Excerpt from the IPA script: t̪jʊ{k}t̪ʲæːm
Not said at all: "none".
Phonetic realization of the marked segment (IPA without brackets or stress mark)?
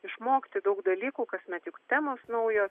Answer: k